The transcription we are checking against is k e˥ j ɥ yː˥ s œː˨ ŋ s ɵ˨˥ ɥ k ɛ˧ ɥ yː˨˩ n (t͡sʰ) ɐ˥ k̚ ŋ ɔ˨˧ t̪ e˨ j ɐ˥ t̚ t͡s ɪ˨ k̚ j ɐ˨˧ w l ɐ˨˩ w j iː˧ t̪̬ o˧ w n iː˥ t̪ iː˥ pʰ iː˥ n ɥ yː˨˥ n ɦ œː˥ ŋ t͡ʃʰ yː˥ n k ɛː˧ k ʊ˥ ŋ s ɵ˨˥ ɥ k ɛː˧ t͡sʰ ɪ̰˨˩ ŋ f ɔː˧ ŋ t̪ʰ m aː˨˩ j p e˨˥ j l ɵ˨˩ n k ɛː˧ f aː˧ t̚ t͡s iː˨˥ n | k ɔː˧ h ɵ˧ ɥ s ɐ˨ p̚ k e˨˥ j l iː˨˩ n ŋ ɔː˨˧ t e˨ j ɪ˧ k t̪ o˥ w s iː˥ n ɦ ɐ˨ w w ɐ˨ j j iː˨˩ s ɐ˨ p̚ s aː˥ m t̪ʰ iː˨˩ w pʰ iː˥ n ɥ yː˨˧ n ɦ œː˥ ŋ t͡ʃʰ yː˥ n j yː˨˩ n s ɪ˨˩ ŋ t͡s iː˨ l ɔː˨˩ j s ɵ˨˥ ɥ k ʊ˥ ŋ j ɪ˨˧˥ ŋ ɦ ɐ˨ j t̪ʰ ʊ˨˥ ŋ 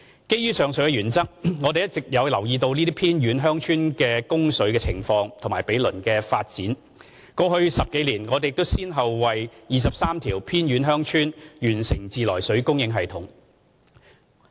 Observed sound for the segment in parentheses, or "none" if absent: t͡s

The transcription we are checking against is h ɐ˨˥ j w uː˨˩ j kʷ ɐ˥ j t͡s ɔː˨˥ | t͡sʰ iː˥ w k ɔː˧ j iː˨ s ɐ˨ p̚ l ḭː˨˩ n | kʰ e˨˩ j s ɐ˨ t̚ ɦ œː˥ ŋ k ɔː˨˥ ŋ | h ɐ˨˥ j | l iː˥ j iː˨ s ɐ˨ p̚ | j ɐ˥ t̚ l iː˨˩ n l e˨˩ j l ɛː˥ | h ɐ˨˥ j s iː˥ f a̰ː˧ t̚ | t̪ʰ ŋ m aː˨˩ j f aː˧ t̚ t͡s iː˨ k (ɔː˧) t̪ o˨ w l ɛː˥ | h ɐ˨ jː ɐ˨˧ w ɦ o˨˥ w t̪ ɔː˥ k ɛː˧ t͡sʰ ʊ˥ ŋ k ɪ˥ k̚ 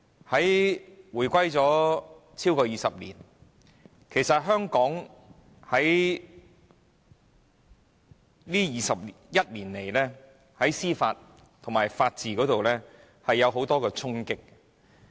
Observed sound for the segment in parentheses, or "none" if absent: ɔː˨˥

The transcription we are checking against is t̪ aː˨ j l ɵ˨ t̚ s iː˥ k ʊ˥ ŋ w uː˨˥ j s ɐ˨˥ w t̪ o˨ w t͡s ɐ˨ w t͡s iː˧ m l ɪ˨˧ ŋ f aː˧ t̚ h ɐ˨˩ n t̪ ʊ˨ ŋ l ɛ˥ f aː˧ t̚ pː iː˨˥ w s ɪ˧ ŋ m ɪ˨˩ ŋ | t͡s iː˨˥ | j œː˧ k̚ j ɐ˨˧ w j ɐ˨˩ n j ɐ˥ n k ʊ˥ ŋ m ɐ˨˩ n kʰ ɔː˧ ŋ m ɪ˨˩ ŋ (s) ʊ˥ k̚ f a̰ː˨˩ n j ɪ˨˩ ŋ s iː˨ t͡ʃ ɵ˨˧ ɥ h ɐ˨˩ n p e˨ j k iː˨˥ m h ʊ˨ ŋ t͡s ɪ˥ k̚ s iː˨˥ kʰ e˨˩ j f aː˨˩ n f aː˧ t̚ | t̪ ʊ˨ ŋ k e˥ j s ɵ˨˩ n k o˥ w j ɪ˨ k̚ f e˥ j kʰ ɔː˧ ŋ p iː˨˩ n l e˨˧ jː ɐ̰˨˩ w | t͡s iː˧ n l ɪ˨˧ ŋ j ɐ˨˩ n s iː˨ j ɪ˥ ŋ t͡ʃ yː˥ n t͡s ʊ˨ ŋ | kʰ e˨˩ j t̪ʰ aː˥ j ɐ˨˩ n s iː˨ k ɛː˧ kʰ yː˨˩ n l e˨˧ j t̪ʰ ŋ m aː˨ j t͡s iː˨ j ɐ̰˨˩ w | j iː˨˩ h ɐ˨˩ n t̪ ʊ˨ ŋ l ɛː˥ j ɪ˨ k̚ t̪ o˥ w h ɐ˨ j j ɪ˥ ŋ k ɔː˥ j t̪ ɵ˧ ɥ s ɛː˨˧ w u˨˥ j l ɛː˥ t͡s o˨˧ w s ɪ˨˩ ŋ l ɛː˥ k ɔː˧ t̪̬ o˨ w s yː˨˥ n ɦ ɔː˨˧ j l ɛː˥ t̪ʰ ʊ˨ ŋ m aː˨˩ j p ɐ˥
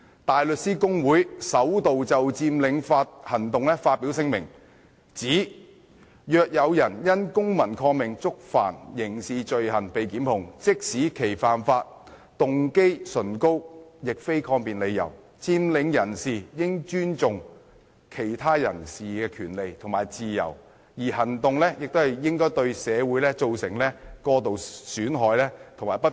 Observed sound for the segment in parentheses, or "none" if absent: t͡s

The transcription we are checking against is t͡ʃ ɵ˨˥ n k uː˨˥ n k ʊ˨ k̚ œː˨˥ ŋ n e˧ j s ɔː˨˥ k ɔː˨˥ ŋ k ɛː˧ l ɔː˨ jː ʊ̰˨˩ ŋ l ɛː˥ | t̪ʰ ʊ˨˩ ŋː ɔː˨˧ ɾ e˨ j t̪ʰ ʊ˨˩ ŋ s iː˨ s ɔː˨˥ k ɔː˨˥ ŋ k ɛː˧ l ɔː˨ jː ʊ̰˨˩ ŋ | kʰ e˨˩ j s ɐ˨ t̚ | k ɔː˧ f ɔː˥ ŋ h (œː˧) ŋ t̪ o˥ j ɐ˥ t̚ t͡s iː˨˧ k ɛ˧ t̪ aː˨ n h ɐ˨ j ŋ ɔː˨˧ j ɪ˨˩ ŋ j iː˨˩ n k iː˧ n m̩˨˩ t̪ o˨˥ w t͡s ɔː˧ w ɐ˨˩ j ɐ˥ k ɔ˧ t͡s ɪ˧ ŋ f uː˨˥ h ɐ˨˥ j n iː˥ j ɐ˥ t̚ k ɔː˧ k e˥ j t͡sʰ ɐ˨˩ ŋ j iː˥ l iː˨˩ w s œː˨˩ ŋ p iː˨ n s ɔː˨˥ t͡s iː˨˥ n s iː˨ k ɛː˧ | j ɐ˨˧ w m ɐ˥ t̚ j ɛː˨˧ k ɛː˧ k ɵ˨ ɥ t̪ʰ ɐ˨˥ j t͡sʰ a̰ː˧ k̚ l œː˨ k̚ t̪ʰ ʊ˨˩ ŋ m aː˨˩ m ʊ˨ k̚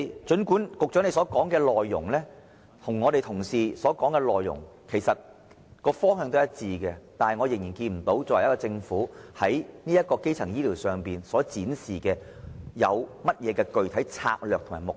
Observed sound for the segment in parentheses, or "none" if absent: œː˧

